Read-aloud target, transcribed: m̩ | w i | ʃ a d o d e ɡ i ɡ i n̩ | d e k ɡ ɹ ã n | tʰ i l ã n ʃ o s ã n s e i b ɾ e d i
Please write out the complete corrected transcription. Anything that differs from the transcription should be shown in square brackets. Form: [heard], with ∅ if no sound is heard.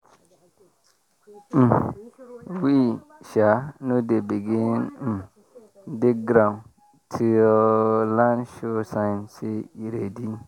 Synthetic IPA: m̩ | w i | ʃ a [n] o d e [b] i ɡ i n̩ | d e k ɡ [ɾ] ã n | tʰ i l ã n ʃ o s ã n s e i [∅] ɾ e d i